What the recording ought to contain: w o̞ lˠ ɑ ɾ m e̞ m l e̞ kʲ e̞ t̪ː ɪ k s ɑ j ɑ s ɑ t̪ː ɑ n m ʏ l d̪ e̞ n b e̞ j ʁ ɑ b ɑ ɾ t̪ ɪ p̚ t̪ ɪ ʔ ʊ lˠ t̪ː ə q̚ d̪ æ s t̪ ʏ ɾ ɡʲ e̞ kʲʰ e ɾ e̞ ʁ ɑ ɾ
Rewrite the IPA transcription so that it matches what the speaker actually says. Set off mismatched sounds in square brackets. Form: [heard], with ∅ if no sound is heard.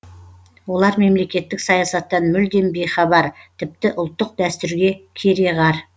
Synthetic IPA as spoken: w o̞ lˠ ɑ ɾ m e̞ m l e̞ kʲ e̞ t̪ː ɪ k s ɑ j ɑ s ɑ t̪ː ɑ n m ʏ l d̪ e̞ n b e̞ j [χ] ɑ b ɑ ɾ [t̪ʰ] ɪ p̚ t̪ ɪ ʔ ʊ lˠ t̪ː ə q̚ d̪ æ s t̪ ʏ ɾ ɡʲ e̞ kʲʰ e ɾ e̞ ʁ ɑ ɾ

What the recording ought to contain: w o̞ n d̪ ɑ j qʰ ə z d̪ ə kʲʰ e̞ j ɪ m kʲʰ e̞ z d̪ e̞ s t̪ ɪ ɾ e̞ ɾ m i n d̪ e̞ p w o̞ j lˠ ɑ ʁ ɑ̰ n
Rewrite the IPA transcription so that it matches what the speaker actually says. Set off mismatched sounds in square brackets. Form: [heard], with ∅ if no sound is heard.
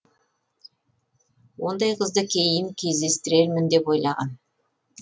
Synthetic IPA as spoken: w o̞ n d̪ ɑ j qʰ ə z d̪ ə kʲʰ e̞ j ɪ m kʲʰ e̞ z d̪ e̞ s t̪ ɪ ɾ e̞ ɾ m [ɪ] n d̪ e̞ p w o̞ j lˠ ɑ ʁ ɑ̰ n

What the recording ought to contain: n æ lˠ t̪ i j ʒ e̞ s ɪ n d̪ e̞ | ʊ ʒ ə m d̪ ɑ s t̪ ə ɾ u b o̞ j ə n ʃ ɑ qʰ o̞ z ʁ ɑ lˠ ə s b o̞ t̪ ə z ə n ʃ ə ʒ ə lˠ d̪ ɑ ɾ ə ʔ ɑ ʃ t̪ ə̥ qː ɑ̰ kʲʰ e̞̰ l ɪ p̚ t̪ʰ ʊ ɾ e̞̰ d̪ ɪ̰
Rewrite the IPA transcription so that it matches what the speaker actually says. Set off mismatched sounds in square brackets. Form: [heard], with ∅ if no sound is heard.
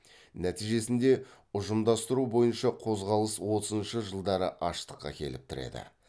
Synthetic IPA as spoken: n æ [∅] t̪ i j ʒ e̞ s ɪ n d̪ e̞ | ʊ ʒ ə m d̪ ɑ s t̪ ə ɾ u b o̞ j ə n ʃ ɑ qʰ o̞ z ʁ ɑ lˠ ə s [w] o̞ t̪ ə z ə n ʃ ə ʒ ə lˠ d̪ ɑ ɾ ə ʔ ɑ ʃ t̪ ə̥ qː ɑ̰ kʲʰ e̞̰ l ɪ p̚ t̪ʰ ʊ ɾ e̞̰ d̪ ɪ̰

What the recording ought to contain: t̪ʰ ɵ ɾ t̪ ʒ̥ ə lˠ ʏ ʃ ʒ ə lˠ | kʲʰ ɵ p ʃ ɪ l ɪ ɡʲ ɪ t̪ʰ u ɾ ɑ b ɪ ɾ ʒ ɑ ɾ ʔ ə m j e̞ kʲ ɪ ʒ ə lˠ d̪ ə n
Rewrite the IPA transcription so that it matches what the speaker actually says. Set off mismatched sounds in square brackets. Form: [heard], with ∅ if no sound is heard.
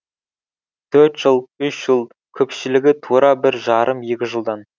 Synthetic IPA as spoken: t̪ʰ ɵ ɾ t̪ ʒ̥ ə lˠ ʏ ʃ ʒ ə lˠ | kʲʰ ɵ p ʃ ɪ l ɪ ɡʲ ɪ t̪ʰ u ɾ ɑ b ɪ ɾ ʒ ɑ ɾ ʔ ə m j e̞ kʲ ɪ ʒ ə lˠ d̪ [ɑ] n

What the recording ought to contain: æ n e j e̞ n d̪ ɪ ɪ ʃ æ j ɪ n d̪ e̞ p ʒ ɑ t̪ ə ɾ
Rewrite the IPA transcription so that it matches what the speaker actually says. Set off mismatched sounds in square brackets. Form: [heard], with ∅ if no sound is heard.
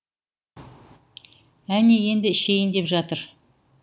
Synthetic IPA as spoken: æ n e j e̞ n d̪ ɪ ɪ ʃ [e] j ɪ n d̪ e̞ p ʒ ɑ t̪ ə ɾ

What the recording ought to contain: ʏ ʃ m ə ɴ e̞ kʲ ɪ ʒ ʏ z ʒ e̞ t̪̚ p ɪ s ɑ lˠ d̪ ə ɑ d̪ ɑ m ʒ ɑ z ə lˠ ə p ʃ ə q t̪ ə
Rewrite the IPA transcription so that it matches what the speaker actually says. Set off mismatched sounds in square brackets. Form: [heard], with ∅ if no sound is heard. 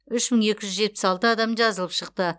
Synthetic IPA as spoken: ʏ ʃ m ə ɴ e̞ kʲ ɪ ʒ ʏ z ʒ e̞ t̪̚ p ɪ s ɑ lˠ [t̪] ə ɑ d̪ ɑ m ʒ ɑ z ə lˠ ə p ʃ ə q t̪ ə

